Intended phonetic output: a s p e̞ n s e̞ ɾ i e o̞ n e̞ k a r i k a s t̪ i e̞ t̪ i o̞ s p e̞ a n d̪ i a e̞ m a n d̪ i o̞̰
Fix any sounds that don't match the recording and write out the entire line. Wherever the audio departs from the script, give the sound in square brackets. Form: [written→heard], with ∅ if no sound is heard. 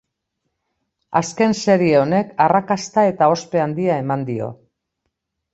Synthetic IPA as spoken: a s [p→k] e̞ n s e̞ ɾ i e o̞ n e̞ k a r [i→a] k a s t̪ [i→a] e̞ t̪ [i→a] o̞ s p e̞ a n d̪ i a e̞ m a n d̪ i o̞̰